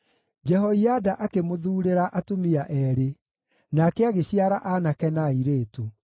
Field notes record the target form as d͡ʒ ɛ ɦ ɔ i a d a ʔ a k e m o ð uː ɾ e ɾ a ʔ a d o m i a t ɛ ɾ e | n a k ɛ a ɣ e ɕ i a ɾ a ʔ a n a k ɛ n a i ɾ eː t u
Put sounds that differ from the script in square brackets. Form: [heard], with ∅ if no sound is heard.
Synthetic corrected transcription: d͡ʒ ɛ ɦ ɔ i a d a ʔ a k e m o ð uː ɾ e ɾ a ʔ a [t] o m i a [ʔ] ɛ ɾ e | n a k ɛ a ɣ e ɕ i a ɾ a ʔ a n a k ɛ n a i ɾ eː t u